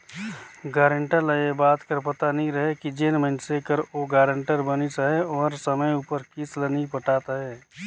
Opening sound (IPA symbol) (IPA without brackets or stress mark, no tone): ɡ